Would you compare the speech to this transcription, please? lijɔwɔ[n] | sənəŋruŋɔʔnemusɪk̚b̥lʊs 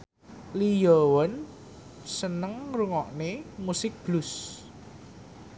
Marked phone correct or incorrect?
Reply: correct